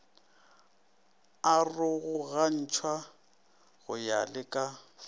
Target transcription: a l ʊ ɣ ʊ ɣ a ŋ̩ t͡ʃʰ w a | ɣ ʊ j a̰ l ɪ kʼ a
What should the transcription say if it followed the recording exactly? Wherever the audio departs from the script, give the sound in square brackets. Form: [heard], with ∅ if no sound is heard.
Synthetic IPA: a [r] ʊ ɣ ʊ ɣ a [n̩] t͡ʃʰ w a | ɣ ʊ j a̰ l ɪ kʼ a